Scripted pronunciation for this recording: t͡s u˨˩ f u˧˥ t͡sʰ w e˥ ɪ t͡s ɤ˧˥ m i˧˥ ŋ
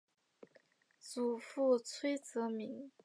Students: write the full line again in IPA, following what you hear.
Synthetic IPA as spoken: t͡s u˨˩ f u˥˩ t͡sʰ w e˥ ɪ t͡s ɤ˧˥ m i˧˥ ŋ